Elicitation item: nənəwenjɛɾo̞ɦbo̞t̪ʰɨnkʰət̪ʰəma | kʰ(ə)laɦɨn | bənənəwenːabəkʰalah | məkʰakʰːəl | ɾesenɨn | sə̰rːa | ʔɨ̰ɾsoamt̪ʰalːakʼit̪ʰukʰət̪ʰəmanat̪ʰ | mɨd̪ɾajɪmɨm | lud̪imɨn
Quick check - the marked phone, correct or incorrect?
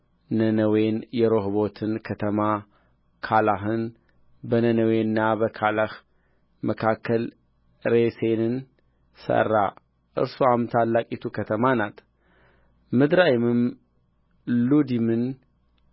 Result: incorrect